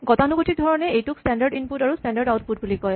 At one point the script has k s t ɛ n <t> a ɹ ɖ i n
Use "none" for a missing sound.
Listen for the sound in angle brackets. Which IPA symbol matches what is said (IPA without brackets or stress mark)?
d